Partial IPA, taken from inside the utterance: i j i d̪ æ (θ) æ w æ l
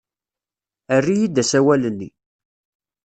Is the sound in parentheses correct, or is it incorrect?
incorrect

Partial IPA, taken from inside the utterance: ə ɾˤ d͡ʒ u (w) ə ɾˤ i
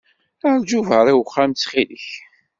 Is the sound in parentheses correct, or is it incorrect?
incorrect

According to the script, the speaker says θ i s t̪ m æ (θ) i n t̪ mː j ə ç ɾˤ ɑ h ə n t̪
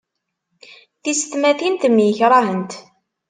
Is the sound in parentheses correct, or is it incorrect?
correct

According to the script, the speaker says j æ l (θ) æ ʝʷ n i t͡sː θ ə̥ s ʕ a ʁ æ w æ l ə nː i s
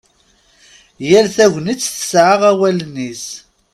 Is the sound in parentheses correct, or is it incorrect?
correct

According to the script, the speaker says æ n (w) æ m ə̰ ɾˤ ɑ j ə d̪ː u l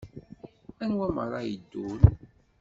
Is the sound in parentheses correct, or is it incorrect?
correct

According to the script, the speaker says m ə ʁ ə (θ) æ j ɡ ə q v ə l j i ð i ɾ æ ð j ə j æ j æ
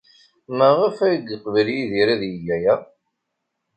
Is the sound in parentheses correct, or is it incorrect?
incorrect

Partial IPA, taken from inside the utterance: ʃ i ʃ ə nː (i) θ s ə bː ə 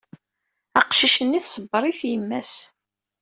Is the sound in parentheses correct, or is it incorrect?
correct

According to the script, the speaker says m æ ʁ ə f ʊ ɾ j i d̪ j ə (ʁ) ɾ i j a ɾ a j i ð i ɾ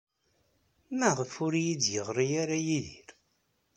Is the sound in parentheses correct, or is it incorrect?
correct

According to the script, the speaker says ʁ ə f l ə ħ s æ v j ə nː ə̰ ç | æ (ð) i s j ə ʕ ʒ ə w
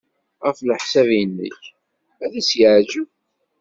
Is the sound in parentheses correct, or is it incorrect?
correct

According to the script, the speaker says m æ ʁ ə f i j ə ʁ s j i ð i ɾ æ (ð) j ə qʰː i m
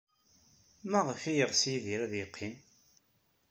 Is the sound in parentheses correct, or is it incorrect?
correct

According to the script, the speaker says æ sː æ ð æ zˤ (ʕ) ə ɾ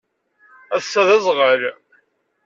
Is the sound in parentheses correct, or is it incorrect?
incorrect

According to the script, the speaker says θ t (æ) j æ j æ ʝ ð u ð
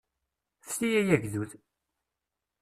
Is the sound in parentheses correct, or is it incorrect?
incorrect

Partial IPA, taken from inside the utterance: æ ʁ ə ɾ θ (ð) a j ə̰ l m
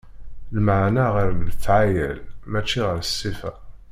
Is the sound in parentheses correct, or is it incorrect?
incorrect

